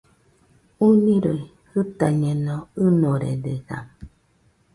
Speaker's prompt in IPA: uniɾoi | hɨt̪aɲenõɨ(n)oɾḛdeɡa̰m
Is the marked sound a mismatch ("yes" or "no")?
no